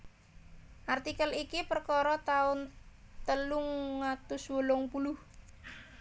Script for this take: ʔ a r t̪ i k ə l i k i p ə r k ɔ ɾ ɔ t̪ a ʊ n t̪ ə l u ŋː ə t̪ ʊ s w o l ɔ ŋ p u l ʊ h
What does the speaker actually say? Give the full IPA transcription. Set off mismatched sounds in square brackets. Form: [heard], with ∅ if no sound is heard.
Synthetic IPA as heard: ʔ a r t̪ i k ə l i k i p ə r k ɔ ɾ ɔ t̪ a ʊ n t̪ ə l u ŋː [a] t̪ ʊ s w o l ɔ ŋ p u l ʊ h